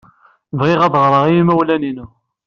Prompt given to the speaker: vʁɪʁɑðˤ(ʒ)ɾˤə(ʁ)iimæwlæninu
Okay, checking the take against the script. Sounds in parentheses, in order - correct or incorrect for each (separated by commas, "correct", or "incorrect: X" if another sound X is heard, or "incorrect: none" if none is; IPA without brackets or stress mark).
incorrect: ʁ, correct